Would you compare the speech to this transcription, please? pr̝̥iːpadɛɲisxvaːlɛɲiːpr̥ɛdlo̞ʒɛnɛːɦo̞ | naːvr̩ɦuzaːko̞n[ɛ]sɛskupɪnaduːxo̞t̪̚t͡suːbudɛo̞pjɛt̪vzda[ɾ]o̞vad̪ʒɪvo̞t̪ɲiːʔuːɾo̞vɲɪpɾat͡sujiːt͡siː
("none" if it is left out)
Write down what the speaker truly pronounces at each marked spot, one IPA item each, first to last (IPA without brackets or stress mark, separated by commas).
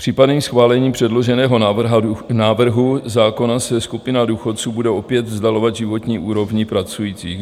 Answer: a, l